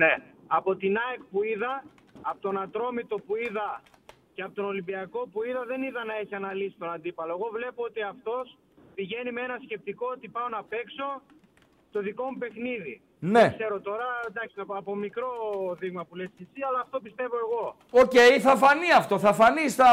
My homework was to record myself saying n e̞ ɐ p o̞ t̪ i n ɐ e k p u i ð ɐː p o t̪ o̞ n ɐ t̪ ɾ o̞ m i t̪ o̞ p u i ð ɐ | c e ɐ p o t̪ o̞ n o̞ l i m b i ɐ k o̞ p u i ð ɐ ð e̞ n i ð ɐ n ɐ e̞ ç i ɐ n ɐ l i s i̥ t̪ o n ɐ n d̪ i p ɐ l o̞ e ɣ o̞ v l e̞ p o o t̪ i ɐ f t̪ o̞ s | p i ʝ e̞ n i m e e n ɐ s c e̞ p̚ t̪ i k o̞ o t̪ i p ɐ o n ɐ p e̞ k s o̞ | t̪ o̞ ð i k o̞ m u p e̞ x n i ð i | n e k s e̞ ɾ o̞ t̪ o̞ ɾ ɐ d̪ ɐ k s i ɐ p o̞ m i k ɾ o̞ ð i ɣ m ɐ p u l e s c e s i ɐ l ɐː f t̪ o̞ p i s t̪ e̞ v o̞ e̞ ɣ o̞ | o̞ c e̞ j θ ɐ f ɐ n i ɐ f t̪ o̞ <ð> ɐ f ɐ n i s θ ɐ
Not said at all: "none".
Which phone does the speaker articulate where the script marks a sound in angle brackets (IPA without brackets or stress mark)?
θ